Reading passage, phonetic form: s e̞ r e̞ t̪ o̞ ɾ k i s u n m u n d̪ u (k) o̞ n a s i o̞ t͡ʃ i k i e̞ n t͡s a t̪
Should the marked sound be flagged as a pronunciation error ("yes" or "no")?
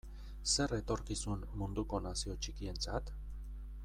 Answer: no